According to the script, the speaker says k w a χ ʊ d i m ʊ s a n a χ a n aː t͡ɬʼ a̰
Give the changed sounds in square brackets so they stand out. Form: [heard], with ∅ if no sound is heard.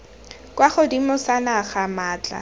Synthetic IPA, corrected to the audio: k w a χ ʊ d i m ʊ s a n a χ a [m] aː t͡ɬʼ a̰